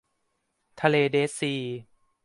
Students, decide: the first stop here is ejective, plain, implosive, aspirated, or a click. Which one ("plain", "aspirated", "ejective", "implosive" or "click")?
aspirated